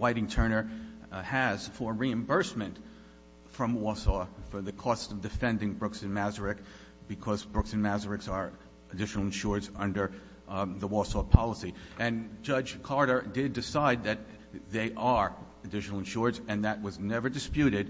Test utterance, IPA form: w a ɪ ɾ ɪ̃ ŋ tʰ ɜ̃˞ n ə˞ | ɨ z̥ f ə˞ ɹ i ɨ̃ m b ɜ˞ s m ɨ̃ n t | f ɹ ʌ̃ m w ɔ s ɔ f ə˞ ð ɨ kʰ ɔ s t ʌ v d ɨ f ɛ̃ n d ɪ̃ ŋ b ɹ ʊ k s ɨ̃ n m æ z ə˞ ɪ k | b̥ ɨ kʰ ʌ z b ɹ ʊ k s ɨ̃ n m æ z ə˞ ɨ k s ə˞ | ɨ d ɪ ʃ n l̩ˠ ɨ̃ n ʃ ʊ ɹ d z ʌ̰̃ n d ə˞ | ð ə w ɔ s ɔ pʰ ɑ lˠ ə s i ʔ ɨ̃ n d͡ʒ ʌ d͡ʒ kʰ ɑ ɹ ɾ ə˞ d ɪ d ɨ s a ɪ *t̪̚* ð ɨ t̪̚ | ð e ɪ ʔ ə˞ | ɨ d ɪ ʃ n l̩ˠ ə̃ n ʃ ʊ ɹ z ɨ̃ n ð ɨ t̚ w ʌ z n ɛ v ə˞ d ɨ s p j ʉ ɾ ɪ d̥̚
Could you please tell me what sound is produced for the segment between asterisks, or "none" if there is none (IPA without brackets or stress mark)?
d̪̚